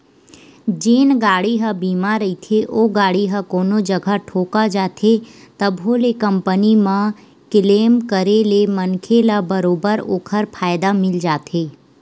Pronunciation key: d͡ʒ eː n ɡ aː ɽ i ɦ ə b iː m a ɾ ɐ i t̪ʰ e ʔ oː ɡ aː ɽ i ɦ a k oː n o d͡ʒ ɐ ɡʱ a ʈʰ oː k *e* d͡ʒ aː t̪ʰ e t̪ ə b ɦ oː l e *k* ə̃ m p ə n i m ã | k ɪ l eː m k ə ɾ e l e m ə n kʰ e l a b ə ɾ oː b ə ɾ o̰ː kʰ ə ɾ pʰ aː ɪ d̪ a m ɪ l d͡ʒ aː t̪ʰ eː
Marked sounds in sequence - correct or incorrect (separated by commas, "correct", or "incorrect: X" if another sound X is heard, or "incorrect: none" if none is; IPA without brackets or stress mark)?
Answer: incorrect: a, correct